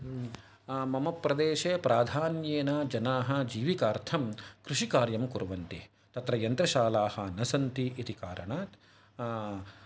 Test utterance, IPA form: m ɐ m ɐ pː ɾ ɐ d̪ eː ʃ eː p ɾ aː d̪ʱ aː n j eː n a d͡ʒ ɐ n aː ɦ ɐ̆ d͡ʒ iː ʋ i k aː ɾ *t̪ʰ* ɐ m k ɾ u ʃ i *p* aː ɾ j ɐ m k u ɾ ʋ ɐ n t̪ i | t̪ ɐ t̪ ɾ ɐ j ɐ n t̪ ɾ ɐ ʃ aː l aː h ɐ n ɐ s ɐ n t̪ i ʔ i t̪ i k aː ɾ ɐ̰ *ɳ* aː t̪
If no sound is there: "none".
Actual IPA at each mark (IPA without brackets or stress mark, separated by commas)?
t̪ʰ, k, ɳ